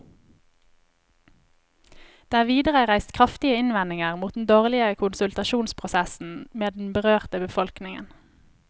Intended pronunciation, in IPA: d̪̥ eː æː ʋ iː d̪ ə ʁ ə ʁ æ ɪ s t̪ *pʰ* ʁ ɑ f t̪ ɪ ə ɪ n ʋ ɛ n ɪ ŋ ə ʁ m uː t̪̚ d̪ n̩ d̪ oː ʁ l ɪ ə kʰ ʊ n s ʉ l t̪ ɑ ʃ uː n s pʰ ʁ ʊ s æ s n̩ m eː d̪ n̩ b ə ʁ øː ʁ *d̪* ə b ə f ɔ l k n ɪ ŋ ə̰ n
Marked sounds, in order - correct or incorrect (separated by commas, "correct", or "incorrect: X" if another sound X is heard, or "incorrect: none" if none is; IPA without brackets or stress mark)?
incorrect: kʰ, incorrect: t̪